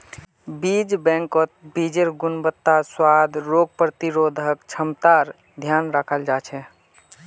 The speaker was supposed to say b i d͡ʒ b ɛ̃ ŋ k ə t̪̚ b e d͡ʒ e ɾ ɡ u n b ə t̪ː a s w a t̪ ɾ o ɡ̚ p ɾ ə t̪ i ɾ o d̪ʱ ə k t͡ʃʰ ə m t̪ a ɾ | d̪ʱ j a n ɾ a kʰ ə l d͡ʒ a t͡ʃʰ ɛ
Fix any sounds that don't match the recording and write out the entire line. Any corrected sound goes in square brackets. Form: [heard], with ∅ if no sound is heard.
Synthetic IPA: b i d͡ʒ b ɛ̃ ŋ k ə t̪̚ b [i] d͡ʒ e ɾ ɡ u n b ə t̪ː a s w a [d̪] ɾ o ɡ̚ p ɾ ə t̪ i ɾ o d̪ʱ ə k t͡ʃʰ ə m t̪ a ɾ | d̪ʱ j a n ɾ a kʰ ə l d͡ʒ a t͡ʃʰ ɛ